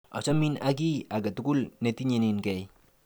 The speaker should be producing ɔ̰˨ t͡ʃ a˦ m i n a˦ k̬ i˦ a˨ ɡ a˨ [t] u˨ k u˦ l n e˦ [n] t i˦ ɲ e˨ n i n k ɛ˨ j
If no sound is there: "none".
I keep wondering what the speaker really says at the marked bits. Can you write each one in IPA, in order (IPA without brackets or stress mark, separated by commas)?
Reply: t, none